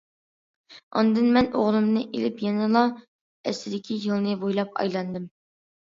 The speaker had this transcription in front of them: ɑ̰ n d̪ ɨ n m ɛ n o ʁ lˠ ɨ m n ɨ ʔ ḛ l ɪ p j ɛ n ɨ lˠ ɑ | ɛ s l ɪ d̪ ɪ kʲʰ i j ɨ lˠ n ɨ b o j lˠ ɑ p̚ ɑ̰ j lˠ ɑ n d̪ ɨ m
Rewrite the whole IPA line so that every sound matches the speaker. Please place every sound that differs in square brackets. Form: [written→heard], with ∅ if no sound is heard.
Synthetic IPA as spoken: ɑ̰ n d̪ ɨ n m ɛ n o ʁ lˠ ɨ m n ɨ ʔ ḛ l ɪ p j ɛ n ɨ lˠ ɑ | ɛ s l ɪ d̪ ɪ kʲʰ i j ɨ lˠ n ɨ b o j lˠ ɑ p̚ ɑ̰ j lˠ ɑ n d̪ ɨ m